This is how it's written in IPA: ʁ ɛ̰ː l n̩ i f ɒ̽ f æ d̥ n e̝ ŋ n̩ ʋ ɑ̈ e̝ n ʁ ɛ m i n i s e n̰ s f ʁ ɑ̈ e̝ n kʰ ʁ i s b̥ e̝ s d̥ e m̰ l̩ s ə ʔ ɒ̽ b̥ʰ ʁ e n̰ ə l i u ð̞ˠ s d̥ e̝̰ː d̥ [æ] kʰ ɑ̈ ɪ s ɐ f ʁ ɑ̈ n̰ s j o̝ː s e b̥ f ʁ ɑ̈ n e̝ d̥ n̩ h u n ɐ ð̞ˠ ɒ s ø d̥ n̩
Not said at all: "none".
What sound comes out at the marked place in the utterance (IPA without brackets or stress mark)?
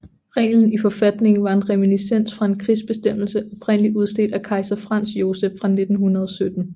æ